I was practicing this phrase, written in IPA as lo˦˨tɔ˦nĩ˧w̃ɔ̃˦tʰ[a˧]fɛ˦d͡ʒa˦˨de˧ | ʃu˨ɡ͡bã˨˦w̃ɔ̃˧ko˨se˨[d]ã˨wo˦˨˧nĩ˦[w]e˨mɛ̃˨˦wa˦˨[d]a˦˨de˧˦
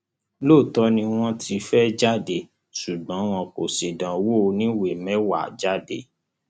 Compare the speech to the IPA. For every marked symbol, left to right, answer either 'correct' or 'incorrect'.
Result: incorrect, correct, correct, incorrect

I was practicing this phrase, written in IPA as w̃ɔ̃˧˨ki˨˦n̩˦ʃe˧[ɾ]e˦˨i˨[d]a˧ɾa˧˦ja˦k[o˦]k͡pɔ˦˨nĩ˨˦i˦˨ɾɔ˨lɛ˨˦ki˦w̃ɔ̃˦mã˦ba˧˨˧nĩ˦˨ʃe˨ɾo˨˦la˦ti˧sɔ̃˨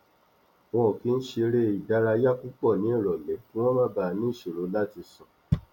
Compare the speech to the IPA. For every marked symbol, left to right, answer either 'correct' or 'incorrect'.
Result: correct, correct, incorrect

